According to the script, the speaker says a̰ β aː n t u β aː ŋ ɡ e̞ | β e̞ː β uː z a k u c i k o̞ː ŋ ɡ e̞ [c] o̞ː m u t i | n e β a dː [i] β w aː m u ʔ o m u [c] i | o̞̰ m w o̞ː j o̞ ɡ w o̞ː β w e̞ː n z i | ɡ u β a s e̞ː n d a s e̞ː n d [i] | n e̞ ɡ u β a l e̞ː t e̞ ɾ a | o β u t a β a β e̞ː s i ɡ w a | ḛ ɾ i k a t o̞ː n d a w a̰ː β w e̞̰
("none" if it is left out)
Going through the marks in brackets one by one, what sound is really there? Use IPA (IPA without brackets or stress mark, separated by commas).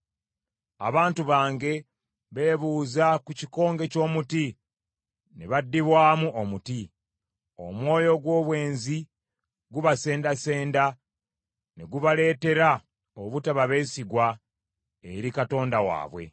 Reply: c, i, t, a